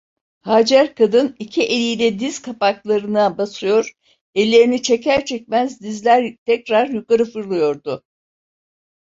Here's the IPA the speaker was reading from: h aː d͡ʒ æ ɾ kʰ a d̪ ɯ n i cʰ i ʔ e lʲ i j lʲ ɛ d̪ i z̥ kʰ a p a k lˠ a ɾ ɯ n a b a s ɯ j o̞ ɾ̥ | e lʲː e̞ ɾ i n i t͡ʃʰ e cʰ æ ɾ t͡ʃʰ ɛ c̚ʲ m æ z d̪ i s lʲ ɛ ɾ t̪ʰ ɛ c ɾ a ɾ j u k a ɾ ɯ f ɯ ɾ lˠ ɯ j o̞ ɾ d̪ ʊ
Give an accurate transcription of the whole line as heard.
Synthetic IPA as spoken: h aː d͡ʒ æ ɾ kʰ a d̪ ɯ n i cʰ i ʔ e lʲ i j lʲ ɛ d̪ i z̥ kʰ a p a k lˠ a ɾ ɯ n a b a s ɯ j o̞ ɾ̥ | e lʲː e̞ ɾ i n i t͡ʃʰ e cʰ æ ɾ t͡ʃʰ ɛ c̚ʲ m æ z d̪ i z lʲ æ ɾ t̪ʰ ɛ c ɾ a ɾ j u k a ɾ ɯ f ɯ ɾ lˠ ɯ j o̞ ɾ d̪ ʊ